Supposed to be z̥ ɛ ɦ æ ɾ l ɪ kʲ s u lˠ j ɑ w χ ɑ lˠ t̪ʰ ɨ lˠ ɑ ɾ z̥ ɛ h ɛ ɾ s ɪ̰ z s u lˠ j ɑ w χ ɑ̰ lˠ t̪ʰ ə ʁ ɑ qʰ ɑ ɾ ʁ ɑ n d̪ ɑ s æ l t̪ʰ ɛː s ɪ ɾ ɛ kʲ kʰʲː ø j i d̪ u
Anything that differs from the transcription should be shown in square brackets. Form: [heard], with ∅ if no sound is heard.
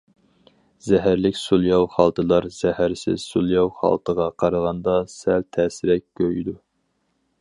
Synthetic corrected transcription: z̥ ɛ ɦ æ ɾ l ɪ kʲ s u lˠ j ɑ w χ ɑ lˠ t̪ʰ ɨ lˠ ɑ ɾ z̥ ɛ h [æ] ɾ s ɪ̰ z s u lˠ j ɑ w χ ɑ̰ lˠ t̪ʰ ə ʁ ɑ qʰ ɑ ɾ ʁ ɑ n d̪ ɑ s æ l t̪ʰ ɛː s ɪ ɾ ɛ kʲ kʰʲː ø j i d̪ u